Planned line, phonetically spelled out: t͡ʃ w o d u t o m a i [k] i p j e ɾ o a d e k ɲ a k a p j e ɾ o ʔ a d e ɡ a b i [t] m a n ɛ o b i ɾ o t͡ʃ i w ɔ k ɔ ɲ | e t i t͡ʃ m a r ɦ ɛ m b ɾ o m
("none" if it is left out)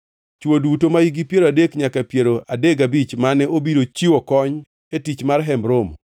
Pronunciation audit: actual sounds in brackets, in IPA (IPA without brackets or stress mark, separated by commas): ɡ, t͡ʃ